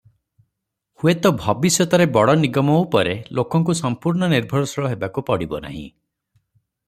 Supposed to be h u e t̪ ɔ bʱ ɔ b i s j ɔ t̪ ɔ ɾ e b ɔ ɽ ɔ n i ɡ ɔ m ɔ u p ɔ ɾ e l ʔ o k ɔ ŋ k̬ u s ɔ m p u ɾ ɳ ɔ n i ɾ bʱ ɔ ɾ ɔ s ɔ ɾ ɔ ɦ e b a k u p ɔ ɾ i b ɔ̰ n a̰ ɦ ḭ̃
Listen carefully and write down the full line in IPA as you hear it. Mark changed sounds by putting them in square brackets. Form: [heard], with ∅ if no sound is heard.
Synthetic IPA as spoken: h u e t̪ ɔ bʱ ɔ b i s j ɔ t̪ ɔ ɾ e b ɔ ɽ ɔ n i ɡ ɔ m ɔ u p ɔ ɾ e l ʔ o k ɔ ŋ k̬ u s ɔ m p u ɾ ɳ ɔ n i ɾ bʱ ɔ ɾ ɔ s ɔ [ɭ] ɔ ɦ e b a k u p ɔ [ɽ] i b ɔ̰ n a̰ ɦ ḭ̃